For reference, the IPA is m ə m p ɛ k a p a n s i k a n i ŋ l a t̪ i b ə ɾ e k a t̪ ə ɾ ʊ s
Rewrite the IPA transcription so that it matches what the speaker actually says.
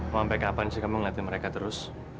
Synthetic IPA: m a m p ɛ k a p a n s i k a m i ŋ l a t̪ i m ə ɾ e k a t̪ ə ɾ ʊ s